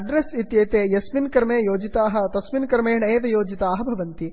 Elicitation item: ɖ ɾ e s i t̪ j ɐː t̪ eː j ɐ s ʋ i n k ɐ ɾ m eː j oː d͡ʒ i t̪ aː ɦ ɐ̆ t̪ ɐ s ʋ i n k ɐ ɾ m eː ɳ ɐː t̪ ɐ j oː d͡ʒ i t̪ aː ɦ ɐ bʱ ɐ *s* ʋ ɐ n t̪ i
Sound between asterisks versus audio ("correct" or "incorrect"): incorrect